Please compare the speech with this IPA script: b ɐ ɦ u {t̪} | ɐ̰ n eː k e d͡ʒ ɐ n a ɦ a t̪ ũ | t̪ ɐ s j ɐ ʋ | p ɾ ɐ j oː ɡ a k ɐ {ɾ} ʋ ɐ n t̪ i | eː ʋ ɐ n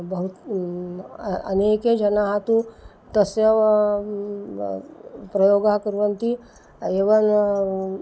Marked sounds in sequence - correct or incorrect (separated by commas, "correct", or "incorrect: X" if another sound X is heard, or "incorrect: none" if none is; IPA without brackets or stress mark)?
correct, correct